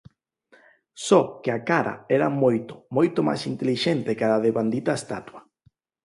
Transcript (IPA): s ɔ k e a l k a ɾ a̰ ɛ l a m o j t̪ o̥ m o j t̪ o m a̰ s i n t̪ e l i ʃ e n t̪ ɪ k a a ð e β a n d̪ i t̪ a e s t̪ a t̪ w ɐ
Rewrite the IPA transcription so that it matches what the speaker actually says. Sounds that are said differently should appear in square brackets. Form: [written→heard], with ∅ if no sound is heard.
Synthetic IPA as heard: s ɔ k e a [l→∅] k a ɾ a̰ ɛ [l→ɾ] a m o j t̪ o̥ m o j t̪ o m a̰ s i n t̪ e l i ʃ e n t̪ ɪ k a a ð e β a n d̪ i t̪ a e s t̪ a t̪ w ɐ